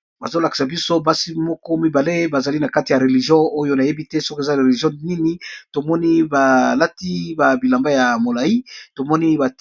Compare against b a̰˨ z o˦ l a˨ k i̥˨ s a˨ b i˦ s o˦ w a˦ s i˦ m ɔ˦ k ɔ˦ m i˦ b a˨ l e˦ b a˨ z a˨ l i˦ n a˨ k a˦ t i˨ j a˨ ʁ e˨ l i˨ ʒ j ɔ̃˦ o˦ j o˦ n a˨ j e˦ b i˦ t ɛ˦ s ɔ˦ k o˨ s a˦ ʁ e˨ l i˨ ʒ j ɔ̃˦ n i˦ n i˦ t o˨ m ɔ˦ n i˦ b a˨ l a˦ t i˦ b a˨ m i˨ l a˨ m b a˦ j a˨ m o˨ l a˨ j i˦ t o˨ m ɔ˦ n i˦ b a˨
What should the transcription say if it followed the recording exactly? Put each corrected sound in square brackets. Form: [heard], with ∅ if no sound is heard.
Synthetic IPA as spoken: b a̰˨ z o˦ l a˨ k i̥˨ s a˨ b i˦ s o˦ [b] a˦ s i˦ m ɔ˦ k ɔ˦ m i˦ b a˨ l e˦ b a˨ z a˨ l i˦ n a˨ k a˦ t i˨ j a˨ ʁ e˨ l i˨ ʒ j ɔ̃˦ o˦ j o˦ n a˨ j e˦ b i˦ t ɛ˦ s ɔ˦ k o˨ [z] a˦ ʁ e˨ l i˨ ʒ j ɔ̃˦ n i˦ n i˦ t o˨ m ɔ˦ n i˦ b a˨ l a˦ t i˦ b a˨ [b] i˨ l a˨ m b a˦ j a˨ m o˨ l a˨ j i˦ t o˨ m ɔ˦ n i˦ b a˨